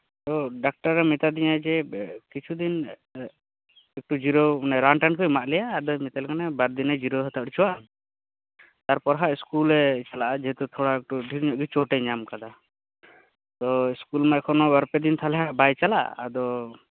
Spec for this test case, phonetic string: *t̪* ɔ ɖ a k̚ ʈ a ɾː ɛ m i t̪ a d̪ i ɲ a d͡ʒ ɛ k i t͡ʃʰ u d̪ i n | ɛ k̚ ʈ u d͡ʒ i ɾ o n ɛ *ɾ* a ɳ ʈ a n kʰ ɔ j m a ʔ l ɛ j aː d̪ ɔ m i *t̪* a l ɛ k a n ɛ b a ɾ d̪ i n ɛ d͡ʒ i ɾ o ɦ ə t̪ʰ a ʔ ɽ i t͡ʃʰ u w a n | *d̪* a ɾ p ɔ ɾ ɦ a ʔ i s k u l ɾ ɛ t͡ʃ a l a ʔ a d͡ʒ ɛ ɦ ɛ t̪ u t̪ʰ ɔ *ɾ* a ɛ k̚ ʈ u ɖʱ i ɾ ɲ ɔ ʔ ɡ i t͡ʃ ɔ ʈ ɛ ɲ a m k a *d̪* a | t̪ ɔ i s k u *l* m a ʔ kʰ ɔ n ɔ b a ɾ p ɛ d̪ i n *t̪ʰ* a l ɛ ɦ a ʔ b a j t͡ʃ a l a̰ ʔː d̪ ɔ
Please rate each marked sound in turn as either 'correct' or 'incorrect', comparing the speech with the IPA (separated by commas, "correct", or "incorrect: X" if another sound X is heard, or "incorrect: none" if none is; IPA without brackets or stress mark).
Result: correct, correct, correct, incorrect: t̪, incorrect: ɽ, correct, correct, correct